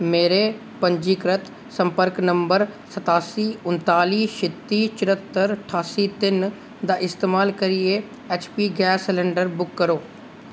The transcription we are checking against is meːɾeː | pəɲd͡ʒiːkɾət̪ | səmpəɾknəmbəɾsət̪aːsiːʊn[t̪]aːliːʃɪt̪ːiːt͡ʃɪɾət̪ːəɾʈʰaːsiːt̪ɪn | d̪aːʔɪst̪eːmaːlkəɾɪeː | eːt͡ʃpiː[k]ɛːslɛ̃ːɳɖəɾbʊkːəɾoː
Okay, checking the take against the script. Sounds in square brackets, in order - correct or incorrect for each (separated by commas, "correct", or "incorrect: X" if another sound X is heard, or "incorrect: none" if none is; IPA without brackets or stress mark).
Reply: correct, incorrect: ɡ